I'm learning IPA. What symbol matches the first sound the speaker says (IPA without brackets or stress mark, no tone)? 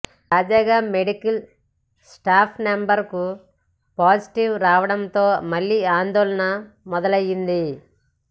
t̪